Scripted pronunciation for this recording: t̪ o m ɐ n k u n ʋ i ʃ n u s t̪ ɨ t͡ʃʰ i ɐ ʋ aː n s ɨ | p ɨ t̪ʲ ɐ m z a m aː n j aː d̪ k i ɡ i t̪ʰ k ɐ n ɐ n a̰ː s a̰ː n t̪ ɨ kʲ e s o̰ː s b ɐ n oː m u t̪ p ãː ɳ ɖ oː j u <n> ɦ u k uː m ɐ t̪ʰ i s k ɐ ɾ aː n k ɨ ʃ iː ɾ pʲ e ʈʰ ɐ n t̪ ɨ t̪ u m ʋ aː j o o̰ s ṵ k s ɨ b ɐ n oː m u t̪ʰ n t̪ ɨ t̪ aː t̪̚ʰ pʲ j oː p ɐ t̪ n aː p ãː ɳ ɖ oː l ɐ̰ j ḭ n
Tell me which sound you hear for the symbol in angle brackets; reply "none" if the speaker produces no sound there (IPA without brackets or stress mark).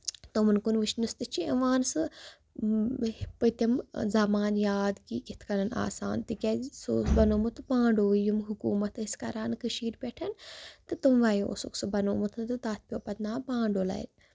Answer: m